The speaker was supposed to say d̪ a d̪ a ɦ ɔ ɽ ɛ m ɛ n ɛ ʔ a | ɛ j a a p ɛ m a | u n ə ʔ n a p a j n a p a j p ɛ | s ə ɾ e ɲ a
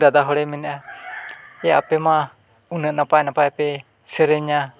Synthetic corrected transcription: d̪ a d̪ a ɦ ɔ ɽ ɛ m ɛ n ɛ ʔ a | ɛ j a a p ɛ m a | u n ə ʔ n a p a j n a p a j p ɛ | s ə ɾ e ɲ a